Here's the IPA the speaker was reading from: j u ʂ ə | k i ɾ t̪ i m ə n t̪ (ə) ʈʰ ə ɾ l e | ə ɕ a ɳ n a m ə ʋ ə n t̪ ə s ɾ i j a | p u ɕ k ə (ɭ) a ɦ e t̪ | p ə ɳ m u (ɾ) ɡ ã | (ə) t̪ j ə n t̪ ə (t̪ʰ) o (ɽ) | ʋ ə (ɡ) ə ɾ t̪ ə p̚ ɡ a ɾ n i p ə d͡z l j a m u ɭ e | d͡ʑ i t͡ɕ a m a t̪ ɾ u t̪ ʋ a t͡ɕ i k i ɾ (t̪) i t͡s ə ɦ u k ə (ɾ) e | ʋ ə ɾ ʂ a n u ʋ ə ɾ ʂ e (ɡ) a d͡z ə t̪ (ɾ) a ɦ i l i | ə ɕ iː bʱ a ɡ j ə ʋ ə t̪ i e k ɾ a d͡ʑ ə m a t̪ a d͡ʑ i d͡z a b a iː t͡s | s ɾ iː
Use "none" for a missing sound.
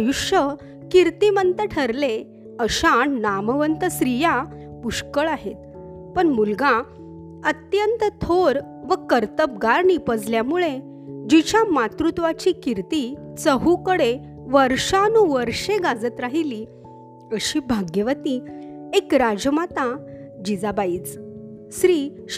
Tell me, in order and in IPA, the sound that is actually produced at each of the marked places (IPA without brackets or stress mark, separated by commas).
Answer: ə, ɭ, l, ə, t̪ʰ, ɾ, k, t̪, ɽ, ɡ, ɾ